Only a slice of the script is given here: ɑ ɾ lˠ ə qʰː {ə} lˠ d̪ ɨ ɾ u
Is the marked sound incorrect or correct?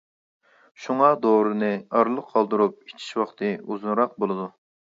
incorrect